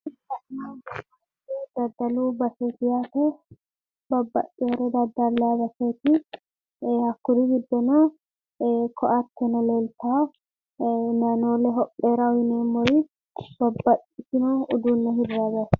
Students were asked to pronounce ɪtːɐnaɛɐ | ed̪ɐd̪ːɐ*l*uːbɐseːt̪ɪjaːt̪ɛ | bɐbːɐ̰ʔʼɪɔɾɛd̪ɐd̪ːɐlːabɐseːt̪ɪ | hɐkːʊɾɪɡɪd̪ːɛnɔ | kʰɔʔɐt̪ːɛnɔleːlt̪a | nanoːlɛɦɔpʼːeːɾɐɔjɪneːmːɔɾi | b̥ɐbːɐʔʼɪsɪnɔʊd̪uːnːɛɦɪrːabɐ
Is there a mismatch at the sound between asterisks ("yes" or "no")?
no